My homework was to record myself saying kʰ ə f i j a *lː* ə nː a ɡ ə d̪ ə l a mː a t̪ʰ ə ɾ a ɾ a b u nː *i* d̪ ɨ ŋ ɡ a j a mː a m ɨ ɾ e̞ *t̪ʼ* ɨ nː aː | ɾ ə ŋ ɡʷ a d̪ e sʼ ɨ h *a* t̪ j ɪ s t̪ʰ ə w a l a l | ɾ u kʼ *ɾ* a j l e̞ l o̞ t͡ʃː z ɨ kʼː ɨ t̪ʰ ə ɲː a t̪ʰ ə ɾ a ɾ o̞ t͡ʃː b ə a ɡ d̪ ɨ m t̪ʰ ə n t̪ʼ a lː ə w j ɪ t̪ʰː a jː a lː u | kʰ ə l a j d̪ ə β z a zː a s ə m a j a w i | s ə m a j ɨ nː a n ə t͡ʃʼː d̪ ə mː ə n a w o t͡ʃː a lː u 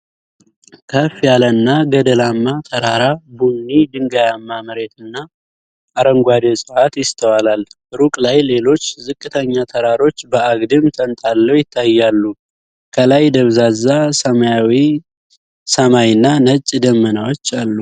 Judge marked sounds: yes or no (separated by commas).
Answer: no, yes, no, yes, no